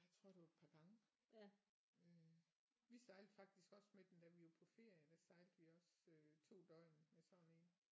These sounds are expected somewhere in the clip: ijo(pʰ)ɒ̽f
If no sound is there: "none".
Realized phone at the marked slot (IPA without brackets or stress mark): pʰ